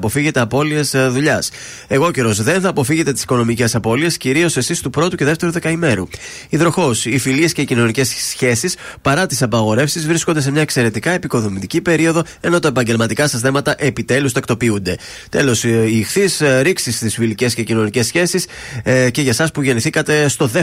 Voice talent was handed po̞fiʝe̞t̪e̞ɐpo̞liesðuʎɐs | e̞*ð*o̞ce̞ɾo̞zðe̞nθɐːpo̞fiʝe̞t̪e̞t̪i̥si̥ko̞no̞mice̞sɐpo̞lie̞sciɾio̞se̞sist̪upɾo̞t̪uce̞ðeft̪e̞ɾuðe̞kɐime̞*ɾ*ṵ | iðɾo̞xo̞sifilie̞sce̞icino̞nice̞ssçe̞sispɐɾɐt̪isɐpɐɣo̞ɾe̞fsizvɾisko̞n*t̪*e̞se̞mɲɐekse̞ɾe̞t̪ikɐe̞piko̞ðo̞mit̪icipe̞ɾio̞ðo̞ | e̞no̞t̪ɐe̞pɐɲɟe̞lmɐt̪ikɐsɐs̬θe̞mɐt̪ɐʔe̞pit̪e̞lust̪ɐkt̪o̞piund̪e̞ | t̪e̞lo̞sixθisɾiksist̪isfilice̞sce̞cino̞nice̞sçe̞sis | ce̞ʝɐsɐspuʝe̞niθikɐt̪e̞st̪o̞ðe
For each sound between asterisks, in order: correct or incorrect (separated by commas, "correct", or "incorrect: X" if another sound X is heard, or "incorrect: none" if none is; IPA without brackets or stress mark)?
incorrect: ɣ, correct, incorrect: d̪